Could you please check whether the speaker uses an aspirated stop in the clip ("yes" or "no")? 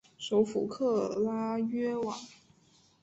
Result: yes